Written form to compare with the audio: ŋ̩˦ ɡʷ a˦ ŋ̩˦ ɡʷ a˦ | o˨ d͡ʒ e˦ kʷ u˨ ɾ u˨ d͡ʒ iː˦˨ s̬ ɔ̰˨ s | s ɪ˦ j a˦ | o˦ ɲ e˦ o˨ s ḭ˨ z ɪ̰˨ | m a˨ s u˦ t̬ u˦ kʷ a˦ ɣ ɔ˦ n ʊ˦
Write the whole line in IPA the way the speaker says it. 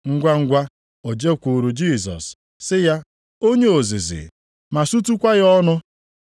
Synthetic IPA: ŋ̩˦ ɡʷ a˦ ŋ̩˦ ɡʷ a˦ | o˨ d͡ʒ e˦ kʷ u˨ ɾ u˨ d͡ʒ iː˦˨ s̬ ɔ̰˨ s | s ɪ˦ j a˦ | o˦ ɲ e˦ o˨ z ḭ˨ z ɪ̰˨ | m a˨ s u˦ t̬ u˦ kʷ a˦ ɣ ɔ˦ n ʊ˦